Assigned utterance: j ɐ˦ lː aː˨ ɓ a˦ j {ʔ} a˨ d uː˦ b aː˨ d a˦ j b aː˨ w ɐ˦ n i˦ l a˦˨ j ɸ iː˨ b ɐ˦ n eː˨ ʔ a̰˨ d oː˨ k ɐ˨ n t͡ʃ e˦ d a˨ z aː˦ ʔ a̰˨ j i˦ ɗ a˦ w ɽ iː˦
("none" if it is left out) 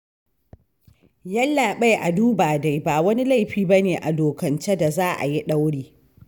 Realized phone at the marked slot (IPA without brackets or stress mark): ʔ